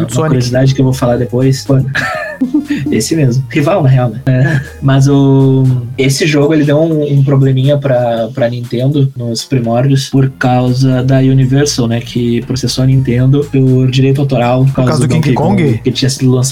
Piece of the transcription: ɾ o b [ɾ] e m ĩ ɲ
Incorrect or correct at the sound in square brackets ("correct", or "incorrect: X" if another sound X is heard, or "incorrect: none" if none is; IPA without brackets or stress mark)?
incorrect: l